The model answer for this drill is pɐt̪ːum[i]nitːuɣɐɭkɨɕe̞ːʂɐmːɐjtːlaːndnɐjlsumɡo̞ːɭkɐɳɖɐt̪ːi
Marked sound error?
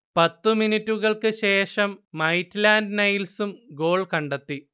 no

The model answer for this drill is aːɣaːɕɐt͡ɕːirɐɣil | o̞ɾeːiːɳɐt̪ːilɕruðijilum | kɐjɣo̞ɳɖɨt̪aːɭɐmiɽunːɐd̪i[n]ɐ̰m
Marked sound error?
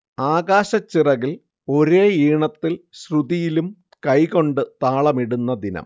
no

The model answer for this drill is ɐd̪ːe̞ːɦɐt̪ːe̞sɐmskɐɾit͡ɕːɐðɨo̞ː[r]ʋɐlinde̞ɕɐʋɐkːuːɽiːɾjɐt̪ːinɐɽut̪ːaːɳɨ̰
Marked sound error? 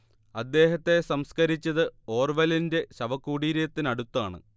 no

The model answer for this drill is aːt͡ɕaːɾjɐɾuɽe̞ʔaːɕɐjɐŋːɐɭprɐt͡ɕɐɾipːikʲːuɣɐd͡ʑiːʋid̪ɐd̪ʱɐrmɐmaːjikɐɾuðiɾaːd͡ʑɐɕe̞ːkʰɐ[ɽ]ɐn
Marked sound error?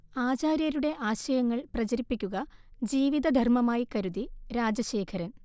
yes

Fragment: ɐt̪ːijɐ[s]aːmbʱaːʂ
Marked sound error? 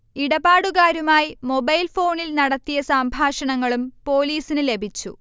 no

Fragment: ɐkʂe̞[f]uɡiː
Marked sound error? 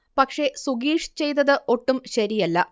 yes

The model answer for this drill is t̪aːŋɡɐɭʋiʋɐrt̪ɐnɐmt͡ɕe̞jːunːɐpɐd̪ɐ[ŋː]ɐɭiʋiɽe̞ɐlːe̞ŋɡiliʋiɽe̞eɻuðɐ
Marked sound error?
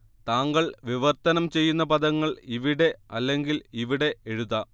no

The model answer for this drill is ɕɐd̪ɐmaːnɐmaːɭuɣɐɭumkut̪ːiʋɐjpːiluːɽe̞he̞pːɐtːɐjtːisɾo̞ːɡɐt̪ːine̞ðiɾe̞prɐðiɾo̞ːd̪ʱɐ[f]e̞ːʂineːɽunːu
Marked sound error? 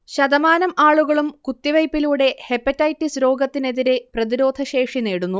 yes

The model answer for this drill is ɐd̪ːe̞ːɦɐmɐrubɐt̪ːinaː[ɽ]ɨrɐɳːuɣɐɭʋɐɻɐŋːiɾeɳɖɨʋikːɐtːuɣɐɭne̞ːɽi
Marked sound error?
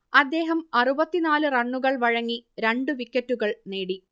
yes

